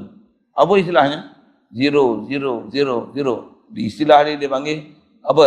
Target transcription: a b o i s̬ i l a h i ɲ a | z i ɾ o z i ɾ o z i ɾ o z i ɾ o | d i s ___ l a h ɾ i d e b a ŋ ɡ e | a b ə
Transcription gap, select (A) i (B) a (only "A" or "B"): A